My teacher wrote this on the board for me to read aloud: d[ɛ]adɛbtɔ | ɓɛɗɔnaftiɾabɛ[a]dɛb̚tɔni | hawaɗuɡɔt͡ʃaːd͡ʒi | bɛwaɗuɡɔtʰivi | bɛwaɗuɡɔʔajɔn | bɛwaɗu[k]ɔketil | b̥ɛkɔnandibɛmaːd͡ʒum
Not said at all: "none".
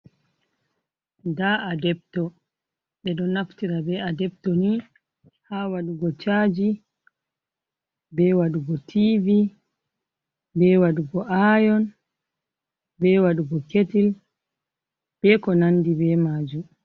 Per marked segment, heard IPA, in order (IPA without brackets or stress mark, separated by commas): a, a, ɡ